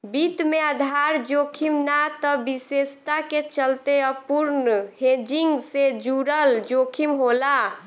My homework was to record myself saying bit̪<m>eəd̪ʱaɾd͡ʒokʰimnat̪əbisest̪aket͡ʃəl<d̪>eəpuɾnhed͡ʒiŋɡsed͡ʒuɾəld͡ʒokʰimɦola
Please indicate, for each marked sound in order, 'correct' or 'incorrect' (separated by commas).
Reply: correct, incorrect